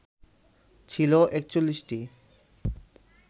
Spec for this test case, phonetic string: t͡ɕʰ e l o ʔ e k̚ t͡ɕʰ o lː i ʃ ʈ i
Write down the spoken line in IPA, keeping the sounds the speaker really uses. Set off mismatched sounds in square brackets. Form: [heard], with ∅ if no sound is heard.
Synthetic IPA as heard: t͡ɕʰ [i] l o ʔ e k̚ [t͡ɕ] o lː i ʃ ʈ i